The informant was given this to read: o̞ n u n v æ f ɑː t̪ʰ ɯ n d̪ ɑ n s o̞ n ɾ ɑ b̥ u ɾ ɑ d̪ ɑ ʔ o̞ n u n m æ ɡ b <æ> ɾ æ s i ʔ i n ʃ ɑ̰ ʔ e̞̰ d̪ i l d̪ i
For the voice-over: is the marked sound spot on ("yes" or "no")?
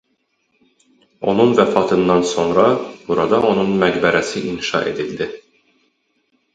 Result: yes